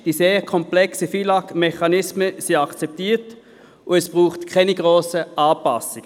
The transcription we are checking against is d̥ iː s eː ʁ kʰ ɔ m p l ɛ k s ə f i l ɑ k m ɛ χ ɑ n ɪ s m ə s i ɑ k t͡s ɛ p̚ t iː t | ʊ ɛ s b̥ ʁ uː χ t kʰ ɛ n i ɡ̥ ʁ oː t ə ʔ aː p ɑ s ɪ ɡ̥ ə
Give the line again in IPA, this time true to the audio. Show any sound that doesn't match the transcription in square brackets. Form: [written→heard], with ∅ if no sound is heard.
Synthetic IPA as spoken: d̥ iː s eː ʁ kʰ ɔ m p l ɛ k s ə f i l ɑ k m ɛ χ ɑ n ɪ s m ə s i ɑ k t͡s ɛ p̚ t iː t | ʊ ɛ s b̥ ʁ uː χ t kʰ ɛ n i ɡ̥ ʁ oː [t→s] ə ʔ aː p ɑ s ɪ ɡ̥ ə